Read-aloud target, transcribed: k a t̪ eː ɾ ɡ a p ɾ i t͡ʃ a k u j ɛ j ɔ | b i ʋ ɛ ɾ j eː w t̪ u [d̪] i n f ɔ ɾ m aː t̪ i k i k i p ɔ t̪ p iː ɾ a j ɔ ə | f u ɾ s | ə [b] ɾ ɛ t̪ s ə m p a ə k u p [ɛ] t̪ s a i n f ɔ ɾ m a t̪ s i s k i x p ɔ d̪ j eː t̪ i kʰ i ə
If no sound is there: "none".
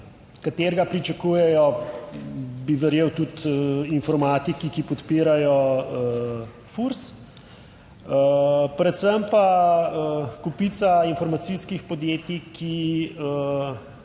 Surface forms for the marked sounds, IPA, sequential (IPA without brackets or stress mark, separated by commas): t̪, p, i